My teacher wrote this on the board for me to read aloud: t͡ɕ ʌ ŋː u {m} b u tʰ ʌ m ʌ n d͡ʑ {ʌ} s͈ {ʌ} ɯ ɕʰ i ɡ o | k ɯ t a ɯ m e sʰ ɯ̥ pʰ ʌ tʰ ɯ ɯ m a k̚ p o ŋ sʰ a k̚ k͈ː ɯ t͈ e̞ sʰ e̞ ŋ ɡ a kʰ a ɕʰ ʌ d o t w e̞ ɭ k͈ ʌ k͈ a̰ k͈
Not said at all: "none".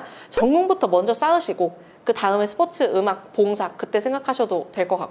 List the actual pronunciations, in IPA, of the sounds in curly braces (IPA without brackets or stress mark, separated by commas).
ŋ, ʌ, a